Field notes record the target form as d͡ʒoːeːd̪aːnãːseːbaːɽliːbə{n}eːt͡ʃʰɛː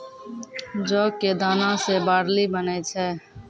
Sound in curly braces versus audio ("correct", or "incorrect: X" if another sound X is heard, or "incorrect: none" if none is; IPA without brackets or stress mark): correct